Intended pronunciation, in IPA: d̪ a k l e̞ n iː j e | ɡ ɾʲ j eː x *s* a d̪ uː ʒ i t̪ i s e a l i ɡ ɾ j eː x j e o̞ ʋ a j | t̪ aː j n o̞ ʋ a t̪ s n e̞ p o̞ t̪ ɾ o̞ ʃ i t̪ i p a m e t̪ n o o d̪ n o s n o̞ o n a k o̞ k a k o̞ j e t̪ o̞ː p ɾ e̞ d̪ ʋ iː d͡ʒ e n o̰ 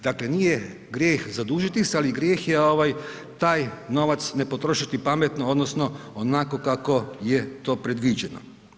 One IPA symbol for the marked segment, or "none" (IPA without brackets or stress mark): z